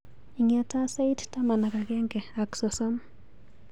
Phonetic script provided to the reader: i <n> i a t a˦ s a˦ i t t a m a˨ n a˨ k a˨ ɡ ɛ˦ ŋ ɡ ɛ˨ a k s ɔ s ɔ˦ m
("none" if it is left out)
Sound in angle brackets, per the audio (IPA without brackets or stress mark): ŋ